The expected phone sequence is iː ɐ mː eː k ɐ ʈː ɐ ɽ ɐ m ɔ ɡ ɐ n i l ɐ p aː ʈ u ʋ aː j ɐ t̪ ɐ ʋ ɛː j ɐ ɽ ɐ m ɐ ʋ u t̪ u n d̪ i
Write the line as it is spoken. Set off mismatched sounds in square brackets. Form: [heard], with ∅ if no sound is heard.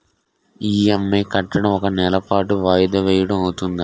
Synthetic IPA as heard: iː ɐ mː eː k ɐ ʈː ɐ ɽ ɐ m ɔ [k] ɐ n [ɛ] l ɐ p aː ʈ u ʋ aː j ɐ [d̪] ɐ ʋ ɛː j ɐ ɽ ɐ m ɐ [w] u t̪ u n d̪ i